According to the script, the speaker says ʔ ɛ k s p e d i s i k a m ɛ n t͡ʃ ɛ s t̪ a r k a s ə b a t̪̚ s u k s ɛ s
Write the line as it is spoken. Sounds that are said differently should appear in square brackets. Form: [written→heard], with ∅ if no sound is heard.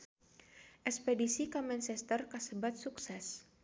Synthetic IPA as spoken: ʔ ɛ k s p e d i s i k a m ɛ n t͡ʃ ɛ s t̪ [a→ə] r k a s ə b a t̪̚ s u k s ɛ s